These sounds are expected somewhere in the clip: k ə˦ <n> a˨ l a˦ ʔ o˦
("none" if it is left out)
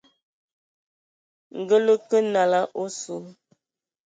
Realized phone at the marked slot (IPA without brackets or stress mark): n